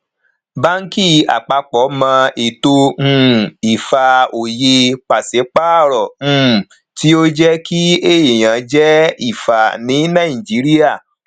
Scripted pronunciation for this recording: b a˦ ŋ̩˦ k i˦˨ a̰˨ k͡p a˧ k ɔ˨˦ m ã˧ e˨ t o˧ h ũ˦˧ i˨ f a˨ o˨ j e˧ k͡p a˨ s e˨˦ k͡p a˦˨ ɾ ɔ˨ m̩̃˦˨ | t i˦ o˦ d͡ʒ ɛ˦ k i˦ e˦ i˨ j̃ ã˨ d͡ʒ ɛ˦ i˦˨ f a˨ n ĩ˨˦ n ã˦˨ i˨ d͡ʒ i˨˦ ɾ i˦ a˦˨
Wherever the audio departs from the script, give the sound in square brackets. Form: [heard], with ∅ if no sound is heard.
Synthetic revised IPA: b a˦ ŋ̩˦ k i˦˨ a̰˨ k͡p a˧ [k͡p] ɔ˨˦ m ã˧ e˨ t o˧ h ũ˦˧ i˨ f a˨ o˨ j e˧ k͡p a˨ s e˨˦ k͡p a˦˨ ɾ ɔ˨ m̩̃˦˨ | t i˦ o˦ d͡ʒ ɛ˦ k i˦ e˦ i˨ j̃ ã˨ d͡ʒ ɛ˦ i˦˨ f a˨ n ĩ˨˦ n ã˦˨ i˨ d͡ʒ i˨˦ ɾ i˦ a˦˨